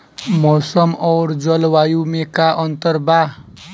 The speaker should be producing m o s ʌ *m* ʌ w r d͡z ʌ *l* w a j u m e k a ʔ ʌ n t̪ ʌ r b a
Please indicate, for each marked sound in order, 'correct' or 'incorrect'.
correct, correct

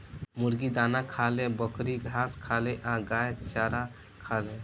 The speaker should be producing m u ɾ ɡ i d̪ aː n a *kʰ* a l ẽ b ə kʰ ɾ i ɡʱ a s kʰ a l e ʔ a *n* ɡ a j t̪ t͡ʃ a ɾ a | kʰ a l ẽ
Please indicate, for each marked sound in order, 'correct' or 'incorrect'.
correct, incorrect: none

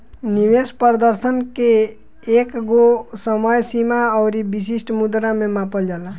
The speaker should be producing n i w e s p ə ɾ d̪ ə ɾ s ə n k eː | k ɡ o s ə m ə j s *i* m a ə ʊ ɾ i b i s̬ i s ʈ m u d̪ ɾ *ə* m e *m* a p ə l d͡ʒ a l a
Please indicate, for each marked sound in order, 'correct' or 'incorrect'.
correct, incorrect: a, correct

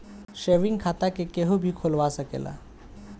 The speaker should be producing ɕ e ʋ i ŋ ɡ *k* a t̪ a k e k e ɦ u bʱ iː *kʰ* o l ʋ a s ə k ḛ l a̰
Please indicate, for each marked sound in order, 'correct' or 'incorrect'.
incorrect: kʰ, correct

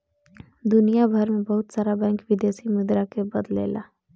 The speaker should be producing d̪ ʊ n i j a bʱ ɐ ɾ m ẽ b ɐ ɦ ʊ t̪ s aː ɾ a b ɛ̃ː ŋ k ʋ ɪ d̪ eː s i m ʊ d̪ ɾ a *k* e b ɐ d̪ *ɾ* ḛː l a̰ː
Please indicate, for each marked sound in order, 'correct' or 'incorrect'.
correct, incorrect: l

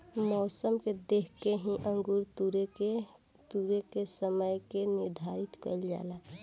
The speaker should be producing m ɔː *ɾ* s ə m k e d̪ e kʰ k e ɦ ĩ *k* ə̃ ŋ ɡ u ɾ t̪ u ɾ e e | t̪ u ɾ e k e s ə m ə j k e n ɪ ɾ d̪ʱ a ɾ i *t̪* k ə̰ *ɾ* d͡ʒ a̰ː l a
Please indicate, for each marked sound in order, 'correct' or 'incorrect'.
incorrect: none, incorrect: ʔ, correct, incorrect: l

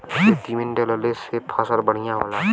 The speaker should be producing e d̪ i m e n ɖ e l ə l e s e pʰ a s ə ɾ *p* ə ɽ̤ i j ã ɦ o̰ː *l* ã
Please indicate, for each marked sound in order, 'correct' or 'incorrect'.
incorrect: b, correct

